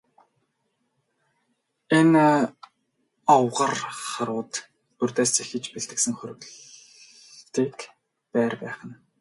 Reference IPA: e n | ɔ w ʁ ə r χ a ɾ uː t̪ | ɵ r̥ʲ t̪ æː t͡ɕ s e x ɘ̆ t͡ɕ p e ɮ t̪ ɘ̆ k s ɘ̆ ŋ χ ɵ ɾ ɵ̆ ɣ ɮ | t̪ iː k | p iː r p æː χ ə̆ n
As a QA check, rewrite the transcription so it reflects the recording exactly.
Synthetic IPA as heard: e n | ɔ w ʁ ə r χ a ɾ ʊː t̪ | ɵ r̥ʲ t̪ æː s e x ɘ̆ t͡ɕ p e ɮ t̪ ɘ̆ k s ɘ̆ ŋ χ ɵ ɾ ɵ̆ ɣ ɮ | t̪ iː k | p æː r p æː χ ə̆ n